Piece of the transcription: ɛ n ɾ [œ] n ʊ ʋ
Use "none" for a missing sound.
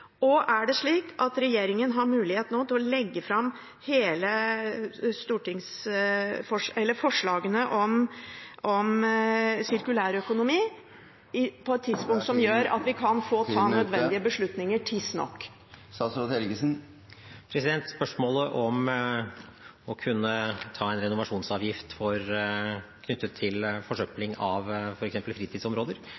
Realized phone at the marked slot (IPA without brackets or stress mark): ɛ